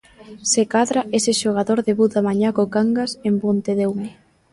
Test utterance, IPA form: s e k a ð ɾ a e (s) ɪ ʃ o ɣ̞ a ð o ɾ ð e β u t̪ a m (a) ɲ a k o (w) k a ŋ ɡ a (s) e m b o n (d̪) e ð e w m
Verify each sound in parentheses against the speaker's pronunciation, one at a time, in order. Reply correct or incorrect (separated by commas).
correct, correct, incorrect, correct, incorrect